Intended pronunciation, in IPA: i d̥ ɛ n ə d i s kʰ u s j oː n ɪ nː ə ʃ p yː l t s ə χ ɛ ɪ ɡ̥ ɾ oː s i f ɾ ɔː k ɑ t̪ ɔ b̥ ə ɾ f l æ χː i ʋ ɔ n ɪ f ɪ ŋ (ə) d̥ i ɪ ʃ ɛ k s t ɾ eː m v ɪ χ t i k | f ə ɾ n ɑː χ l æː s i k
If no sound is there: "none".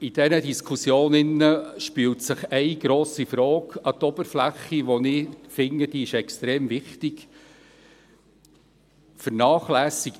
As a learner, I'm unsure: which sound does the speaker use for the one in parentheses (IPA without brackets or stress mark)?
ə